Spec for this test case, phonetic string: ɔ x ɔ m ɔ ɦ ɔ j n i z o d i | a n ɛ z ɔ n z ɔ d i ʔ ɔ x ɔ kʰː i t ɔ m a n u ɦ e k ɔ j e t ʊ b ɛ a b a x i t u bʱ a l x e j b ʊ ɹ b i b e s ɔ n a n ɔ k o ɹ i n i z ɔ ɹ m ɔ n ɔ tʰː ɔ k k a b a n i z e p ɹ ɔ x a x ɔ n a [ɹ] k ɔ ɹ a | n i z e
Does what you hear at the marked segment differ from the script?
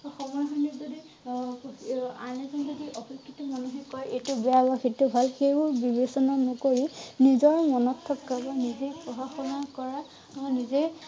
yes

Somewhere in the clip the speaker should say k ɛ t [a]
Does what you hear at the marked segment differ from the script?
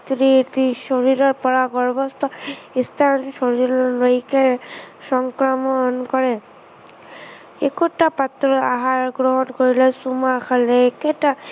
no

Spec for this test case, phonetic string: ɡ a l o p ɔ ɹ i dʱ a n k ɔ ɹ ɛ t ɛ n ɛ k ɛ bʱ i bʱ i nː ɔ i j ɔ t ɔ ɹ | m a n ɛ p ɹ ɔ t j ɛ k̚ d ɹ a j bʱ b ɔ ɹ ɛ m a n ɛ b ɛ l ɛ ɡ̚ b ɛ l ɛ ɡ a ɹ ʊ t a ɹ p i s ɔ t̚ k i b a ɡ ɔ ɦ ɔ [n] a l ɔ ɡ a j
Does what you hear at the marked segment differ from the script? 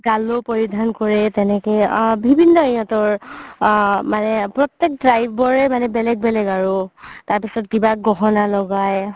no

